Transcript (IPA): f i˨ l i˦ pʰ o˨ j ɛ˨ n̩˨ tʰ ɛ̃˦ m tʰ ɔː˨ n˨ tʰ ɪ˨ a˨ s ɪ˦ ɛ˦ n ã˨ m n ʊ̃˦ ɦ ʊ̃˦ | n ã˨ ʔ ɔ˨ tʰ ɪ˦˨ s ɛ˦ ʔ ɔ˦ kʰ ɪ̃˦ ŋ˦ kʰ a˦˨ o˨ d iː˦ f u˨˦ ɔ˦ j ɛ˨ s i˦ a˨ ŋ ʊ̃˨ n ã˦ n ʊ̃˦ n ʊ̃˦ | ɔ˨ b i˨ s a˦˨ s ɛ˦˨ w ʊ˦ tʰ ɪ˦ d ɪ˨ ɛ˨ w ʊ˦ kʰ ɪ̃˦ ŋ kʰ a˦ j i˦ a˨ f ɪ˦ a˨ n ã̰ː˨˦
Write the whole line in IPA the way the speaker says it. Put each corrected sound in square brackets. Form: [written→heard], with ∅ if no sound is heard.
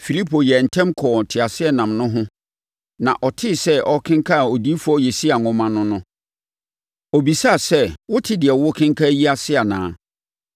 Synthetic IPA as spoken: f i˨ l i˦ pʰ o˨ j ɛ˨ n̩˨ tʰ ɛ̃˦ m [tʰ→kʰ] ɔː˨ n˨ tʰ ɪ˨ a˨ s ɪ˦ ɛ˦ n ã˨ m n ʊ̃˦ ɦ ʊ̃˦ | n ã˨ ʔ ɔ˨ tʰ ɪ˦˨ s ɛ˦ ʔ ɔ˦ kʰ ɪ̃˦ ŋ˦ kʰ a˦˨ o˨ d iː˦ f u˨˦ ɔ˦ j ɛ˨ s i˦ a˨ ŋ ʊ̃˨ [n→m] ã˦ n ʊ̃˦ n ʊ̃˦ | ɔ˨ b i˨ s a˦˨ s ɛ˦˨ w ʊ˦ tʰ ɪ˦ d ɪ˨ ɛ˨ w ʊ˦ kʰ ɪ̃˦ ŋ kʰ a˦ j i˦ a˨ [f→s] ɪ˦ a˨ n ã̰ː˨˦

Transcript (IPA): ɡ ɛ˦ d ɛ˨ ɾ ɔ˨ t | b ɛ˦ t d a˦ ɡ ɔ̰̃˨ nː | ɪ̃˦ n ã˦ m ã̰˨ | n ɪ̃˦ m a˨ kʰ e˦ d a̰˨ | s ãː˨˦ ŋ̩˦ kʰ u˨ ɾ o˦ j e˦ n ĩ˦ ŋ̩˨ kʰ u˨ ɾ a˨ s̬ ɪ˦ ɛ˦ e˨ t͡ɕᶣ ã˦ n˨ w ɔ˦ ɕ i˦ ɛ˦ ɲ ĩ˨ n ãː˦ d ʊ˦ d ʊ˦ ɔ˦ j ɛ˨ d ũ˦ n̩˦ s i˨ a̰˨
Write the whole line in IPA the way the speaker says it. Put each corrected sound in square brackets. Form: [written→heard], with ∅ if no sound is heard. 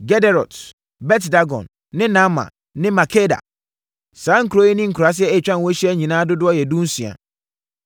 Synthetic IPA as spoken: ɡ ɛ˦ d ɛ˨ ɾ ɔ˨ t | b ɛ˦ t d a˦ ɡ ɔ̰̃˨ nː | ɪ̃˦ n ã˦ m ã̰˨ | n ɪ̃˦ m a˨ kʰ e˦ d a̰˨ | s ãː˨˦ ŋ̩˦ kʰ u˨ ɾ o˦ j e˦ n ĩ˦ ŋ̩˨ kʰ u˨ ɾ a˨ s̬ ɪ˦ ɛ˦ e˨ t͡ɕᶣ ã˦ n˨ w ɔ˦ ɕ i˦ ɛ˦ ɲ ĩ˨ n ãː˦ d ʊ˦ d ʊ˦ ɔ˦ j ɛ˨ d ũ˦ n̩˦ s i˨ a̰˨

